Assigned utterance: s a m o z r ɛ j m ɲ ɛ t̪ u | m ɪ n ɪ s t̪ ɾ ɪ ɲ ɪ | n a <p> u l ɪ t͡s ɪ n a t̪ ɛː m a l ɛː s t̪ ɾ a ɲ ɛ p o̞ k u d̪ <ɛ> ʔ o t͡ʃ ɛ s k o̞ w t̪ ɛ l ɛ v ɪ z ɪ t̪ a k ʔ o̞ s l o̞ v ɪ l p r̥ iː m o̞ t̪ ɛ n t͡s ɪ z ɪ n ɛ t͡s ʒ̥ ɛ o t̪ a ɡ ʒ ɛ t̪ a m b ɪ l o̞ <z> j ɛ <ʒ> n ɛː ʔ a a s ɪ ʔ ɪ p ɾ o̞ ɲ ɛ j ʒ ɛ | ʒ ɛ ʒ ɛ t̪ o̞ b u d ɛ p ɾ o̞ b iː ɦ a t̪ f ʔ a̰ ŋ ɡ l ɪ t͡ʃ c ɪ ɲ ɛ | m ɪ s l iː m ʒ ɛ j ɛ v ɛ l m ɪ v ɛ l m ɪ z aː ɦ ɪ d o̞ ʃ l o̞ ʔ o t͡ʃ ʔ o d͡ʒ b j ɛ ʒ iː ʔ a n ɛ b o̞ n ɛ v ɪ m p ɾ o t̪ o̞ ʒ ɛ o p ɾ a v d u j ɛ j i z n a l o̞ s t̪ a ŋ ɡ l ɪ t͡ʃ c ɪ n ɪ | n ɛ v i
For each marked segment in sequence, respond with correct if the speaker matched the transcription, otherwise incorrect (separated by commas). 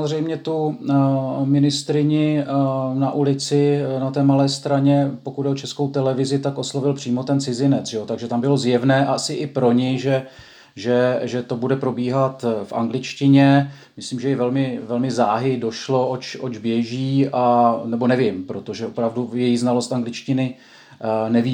incorrect, correct, correct, incorrect